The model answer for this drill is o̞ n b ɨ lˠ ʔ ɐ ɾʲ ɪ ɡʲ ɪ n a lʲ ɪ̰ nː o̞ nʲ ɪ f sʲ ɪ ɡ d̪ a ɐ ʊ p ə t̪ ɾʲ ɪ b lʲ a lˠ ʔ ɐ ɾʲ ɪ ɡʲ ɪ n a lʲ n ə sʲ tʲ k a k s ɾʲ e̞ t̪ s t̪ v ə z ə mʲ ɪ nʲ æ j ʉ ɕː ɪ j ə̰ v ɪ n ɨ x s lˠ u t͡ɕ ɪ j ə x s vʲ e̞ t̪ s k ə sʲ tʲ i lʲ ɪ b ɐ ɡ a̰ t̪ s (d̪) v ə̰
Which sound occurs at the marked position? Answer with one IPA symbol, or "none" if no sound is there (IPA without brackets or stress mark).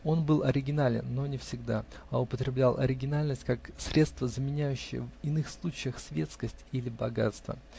t̪